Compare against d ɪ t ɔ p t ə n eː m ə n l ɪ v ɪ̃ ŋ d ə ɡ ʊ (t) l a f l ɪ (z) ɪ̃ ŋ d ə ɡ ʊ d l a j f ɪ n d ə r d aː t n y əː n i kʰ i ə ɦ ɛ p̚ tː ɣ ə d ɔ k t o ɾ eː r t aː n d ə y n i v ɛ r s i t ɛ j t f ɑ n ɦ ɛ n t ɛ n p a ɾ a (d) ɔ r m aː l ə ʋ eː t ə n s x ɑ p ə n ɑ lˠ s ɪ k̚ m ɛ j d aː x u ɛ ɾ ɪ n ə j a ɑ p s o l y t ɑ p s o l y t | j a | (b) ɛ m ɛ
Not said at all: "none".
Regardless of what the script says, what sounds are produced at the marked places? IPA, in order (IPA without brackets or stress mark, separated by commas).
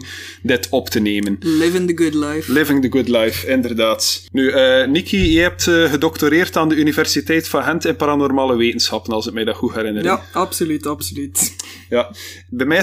d, v, n, b